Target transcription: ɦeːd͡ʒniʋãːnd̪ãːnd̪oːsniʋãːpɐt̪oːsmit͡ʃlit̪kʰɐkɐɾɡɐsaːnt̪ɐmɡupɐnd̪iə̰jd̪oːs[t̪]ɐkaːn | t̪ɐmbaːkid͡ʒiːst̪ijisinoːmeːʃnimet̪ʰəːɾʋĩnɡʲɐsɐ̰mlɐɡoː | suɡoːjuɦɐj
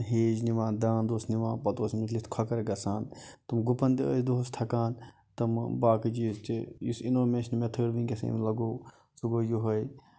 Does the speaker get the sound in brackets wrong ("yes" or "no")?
yes